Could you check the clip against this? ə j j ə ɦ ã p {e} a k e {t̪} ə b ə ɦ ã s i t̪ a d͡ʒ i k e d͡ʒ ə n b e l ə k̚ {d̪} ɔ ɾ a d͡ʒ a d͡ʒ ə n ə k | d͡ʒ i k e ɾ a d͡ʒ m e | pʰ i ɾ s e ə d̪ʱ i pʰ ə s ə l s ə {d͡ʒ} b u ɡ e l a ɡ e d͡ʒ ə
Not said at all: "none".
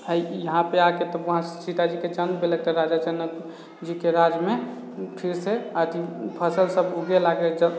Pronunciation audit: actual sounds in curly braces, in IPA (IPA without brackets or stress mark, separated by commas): e, t̪, t̪, none